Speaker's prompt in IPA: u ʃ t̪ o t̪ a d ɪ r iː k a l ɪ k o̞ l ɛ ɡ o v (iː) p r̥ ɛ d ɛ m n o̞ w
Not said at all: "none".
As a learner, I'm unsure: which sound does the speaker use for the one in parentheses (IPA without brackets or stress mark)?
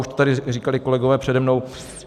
ɛː